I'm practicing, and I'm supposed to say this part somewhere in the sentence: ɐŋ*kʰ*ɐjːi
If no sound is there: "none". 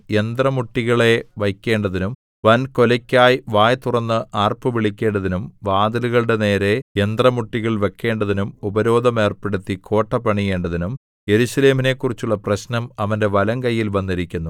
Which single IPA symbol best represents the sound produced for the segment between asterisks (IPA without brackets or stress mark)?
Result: k